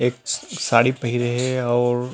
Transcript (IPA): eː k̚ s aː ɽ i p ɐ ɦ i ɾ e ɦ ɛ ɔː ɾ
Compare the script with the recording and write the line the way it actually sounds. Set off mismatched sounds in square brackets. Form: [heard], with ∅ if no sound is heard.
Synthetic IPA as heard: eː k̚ s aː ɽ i p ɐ ɦ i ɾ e ɦ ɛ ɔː ɾ